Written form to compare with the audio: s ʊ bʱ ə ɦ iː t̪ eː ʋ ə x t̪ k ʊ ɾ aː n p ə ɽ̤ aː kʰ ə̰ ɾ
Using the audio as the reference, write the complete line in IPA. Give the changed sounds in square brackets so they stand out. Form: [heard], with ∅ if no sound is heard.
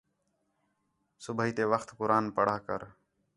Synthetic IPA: s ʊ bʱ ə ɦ iː t̪ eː ʋ ə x t̪ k ʊ ɾ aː n p ə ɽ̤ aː [k] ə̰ ɾ